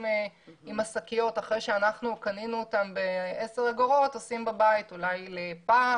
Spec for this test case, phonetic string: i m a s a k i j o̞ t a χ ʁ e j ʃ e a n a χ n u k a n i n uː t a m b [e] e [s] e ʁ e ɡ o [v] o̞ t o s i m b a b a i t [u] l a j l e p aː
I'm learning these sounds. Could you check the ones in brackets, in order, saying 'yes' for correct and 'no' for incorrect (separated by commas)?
yes, yes, no, yes